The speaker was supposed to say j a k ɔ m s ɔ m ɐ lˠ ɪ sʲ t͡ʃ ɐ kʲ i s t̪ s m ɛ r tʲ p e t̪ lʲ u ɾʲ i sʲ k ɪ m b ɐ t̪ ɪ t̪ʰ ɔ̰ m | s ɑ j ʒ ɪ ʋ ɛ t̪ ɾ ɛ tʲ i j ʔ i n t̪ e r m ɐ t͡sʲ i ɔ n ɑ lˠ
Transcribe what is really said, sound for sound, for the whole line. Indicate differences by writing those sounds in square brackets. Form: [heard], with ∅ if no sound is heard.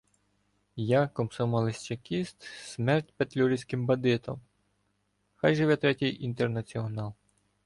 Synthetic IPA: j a k ɔ m s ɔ m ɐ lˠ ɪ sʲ t͡ʃ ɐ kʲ i s t̪ s m ɛ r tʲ p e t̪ lʲ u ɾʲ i sʲ k ɪ m b ɐ [d̪] ɪ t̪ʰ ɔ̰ m | [x] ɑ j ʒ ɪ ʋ ɛ t̪ ɾ ɛ tʲ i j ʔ i n t̪ e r [n] ɐ t͡sʲ i ɔ n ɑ lˠ